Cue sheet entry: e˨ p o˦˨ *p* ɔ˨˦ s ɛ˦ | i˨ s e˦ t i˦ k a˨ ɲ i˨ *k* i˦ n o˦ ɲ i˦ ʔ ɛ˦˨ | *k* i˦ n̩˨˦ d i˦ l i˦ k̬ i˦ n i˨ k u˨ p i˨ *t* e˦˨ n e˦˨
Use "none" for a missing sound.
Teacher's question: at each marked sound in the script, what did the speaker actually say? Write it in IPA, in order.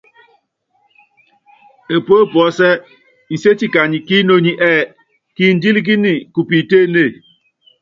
p, k, k, t

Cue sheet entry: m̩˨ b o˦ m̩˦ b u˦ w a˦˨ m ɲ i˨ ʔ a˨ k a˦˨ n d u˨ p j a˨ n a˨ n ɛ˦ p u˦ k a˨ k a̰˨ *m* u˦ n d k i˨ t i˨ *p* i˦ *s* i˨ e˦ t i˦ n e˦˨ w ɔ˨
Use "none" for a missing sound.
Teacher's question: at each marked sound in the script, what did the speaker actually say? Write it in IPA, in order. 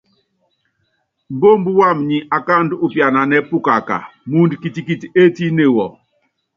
m, k, t

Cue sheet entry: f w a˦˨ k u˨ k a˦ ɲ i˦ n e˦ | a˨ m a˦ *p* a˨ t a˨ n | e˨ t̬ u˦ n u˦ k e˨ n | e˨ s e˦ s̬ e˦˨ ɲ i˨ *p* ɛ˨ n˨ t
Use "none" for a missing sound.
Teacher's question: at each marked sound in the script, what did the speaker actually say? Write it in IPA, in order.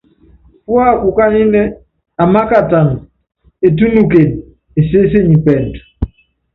k, p

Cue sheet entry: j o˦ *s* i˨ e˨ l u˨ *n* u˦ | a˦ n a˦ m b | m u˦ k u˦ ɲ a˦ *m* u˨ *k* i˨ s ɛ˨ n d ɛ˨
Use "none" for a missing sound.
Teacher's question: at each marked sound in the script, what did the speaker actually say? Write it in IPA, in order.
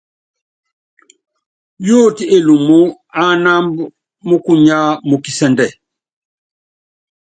t, m, m, k

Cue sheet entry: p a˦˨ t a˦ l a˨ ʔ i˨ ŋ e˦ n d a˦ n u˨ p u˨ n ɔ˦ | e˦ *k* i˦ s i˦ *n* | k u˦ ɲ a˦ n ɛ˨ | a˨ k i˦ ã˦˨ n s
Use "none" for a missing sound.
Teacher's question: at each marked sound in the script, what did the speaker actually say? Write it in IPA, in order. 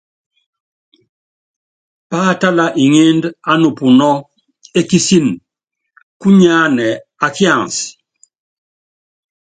k, n

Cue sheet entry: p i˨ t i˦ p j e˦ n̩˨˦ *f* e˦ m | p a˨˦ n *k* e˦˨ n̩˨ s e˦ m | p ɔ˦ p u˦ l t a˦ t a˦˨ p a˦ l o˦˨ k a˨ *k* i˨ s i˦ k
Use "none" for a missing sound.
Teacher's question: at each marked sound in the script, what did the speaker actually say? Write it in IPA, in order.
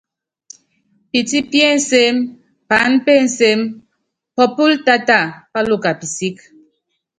s, p, p

